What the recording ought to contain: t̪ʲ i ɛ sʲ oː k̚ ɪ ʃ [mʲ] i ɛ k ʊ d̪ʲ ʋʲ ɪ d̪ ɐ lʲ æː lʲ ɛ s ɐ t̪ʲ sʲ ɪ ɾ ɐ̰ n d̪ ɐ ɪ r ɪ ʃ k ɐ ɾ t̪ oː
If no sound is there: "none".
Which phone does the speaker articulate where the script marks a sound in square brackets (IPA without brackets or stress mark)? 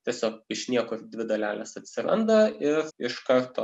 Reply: nʲ